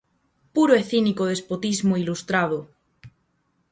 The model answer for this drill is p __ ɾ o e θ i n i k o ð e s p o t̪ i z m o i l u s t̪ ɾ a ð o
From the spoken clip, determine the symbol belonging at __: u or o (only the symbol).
u